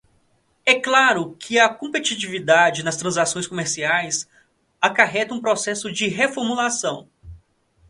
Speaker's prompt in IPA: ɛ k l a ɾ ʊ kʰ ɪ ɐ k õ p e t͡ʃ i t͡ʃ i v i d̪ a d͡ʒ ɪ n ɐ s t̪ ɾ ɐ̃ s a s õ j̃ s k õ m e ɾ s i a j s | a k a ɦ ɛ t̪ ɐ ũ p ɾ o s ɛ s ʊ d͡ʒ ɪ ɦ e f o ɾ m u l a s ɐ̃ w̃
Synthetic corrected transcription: ɛ k l a ɾ ʊ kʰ ɪ ɐ k õ p e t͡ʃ i t͡ʃ i v i d̪ a d͡ʒ ɪ n ɐ s t̪ ɾ ɐ̃ z a s õ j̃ s k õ m e ɾ s i a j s | a k a ɦ ɛ t̪ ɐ ũ p ɾ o s ɛ s ʊ d͡ʒ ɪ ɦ e f o ɾ m u l a s ɐ̃ w̃